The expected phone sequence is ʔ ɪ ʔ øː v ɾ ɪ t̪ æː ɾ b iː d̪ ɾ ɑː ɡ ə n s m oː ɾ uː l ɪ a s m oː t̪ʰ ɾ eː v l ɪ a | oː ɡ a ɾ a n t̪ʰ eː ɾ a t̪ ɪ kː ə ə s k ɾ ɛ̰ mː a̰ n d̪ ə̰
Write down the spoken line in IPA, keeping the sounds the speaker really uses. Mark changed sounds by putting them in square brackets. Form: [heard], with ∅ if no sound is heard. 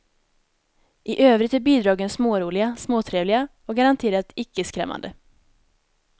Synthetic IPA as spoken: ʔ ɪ ʔ øː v ɾ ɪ t̪ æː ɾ b iː d̪ ɾ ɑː ɡ ə n s m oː ɾ uː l ɪ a s m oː t̪ʰ ɾ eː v l ɪ a | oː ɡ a ɾ a n t̪ʰ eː ɾ a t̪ ɪ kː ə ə s k ɾ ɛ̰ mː a̰ n d̪ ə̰